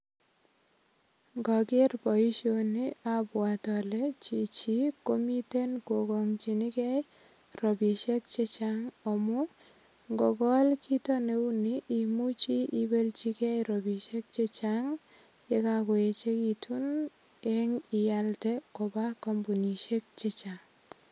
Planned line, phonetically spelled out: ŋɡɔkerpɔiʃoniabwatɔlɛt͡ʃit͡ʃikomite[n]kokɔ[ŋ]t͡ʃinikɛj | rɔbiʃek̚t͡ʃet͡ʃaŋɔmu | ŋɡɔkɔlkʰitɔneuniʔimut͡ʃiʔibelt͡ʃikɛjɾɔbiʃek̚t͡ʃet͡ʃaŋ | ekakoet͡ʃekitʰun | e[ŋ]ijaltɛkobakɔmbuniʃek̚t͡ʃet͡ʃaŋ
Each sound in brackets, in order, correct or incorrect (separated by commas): correct, correct, correct